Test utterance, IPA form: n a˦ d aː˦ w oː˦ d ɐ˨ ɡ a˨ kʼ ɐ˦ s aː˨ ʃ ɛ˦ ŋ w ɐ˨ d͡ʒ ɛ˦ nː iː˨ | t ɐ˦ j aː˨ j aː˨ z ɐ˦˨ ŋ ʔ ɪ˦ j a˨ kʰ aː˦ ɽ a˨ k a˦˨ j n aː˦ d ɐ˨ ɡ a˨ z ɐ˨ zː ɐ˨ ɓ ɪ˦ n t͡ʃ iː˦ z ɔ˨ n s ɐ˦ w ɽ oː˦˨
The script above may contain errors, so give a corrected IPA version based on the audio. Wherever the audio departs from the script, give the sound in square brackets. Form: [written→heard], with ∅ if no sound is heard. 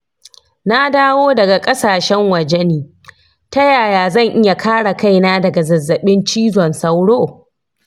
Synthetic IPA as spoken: n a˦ d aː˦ w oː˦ d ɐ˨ ɡ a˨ kʼ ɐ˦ s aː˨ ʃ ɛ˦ ŋ w ɐ˨ d͡ʒ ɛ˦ [nː→n] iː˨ | t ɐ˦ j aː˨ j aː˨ z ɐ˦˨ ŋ ʔ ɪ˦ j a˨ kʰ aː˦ ɽ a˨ k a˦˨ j n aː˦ d ɐ˨ ɡ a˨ z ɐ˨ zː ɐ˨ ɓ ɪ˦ n t͡ʃ iː˦ z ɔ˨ n s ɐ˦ w ɽ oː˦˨